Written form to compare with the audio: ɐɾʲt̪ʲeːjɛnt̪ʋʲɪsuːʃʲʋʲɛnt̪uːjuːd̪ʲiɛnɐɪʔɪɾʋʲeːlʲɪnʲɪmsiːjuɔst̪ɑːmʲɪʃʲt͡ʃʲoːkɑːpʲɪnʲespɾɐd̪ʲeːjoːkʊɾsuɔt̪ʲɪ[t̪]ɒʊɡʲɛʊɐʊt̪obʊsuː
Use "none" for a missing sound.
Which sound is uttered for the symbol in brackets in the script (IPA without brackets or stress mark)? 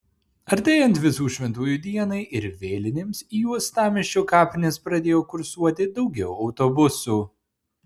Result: d̪